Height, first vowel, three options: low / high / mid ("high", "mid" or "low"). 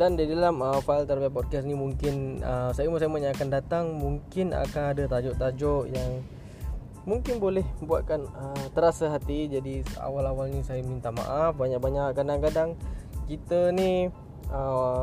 low